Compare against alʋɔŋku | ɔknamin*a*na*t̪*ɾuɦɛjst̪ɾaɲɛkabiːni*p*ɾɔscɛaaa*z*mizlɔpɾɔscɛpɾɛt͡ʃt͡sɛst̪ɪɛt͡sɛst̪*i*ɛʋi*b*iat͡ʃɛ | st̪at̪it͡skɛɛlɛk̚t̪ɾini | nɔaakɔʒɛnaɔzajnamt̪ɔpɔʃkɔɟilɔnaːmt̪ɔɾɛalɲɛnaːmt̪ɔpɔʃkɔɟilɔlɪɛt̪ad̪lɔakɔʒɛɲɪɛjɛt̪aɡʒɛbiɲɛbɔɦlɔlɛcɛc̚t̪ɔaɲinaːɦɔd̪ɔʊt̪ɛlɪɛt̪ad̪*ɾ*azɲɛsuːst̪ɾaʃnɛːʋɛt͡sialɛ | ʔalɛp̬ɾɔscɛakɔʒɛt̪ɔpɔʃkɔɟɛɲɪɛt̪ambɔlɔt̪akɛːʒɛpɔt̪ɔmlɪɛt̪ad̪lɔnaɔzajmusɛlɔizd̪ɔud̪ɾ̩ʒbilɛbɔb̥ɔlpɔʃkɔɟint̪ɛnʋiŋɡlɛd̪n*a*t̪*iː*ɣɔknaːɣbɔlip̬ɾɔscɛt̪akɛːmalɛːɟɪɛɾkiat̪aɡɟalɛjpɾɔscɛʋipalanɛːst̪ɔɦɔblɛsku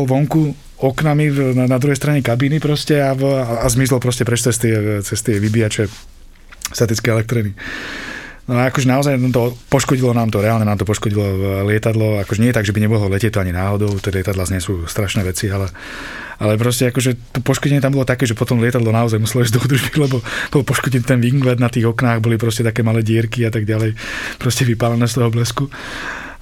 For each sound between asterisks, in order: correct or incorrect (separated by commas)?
correct, incorrect, correct, correct, incorrect, correct, incorrect, correct, correct